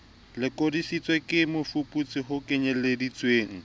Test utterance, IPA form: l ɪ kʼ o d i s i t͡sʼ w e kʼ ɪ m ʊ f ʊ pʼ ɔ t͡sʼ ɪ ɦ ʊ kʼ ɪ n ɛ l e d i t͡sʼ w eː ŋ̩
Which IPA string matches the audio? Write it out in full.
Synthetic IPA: l ɪ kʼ o d i s i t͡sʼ w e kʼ ɪ m ʊ f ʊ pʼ u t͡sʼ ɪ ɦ ʊ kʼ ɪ ɲ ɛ l e d i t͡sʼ w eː ŋ̩